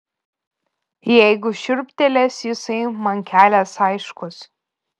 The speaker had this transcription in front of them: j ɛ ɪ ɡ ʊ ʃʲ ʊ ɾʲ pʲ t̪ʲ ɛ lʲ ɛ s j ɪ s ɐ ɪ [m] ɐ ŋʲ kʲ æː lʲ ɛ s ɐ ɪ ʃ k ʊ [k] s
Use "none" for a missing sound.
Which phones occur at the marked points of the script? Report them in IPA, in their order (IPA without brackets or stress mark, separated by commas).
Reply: m, none